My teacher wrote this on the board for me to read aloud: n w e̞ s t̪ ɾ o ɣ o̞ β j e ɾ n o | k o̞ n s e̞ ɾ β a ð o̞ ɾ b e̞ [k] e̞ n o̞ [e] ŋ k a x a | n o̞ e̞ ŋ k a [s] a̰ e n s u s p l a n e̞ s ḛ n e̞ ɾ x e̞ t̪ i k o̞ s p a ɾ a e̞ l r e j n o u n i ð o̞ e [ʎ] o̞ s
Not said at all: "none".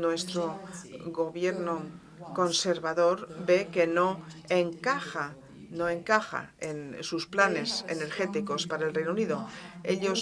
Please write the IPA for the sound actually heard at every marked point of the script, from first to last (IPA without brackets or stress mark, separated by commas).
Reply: k, e, x, ʎ